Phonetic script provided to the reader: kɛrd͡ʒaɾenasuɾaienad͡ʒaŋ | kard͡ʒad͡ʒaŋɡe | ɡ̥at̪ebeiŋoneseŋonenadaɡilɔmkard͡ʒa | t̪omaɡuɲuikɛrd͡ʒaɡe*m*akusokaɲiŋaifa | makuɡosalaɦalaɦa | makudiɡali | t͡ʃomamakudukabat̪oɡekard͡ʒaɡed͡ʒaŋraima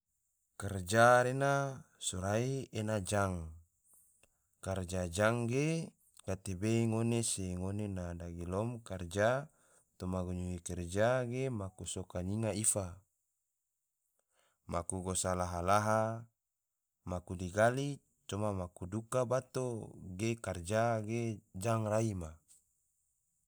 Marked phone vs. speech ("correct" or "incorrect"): correct